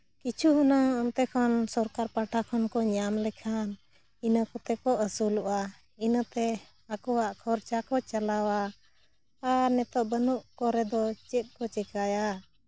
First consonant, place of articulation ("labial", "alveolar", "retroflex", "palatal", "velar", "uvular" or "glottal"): velar